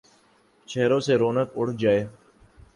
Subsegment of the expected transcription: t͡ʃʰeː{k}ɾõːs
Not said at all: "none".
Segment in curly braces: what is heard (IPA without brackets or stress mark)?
none